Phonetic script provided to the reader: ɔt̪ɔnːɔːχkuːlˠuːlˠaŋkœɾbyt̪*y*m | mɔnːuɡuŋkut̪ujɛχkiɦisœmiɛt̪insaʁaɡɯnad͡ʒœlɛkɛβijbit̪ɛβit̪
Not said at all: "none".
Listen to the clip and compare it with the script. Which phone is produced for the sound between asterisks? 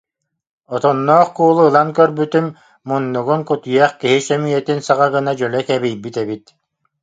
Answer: y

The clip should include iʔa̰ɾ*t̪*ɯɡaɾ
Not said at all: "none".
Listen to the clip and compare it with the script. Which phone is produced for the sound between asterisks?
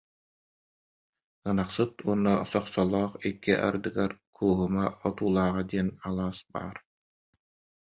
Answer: d̪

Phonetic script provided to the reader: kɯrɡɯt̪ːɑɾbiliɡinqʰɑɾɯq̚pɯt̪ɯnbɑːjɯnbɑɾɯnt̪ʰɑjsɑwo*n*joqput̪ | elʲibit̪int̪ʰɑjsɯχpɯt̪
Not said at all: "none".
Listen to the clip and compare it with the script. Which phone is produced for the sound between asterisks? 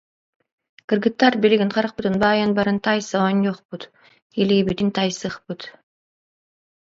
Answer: n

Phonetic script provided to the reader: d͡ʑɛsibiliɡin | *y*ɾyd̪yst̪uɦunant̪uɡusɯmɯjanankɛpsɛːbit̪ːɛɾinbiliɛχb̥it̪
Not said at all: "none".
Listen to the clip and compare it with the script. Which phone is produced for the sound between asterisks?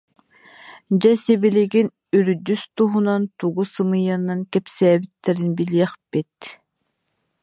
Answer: y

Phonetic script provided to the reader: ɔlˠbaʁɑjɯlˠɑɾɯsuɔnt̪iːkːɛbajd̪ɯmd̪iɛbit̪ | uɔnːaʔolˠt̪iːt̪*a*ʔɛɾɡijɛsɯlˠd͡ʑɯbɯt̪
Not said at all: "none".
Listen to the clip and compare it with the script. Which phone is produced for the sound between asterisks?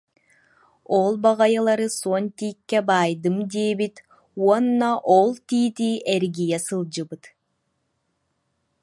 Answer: i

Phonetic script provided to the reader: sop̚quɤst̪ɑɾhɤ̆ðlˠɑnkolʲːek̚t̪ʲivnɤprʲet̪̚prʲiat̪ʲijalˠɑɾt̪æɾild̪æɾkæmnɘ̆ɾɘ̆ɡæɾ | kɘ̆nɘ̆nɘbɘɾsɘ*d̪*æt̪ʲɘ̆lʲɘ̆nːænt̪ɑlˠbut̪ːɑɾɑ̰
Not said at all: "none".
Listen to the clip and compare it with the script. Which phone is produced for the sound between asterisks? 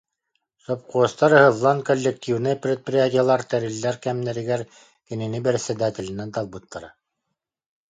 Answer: d̪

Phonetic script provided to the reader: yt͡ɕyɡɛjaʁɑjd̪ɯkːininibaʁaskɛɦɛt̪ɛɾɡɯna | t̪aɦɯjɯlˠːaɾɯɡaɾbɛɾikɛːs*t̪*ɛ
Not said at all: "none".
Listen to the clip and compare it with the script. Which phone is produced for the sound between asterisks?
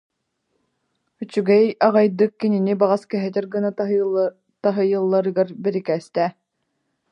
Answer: t̪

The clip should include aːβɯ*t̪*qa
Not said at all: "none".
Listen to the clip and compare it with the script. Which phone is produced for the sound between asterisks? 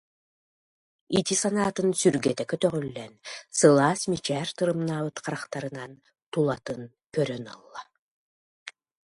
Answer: t̪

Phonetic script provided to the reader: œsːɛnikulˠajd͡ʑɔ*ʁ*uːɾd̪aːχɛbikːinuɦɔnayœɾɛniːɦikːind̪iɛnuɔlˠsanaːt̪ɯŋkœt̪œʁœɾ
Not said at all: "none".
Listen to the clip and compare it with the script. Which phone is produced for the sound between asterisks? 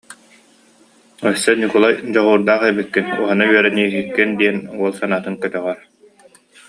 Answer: ʁ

